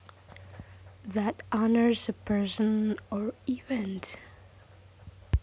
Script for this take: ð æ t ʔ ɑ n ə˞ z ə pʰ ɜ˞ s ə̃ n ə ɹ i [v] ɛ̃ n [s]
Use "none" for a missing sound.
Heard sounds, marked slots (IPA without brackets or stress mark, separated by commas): v, t